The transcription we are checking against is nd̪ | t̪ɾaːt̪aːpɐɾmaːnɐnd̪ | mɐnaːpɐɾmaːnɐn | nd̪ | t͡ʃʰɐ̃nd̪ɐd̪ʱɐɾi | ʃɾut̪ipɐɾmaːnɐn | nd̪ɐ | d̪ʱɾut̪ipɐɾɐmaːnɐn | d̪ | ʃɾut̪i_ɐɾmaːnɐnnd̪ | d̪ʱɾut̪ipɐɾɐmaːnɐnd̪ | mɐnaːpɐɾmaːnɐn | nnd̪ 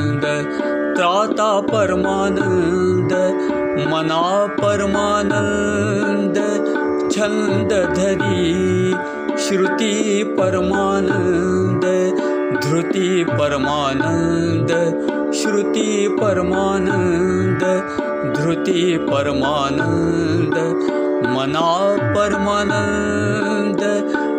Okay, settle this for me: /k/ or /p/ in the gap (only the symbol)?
p